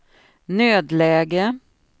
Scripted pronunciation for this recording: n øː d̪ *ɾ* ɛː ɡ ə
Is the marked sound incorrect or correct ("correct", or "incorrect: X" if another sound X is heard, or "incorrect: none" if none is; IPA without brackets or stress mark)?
incorrect: l